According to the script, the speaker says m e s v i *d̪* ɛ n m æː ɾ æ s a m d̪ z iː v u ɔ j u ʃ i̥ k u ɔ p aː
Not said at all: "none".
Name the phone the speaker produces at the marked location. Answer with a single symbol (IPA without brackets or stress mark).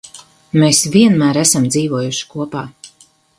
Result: none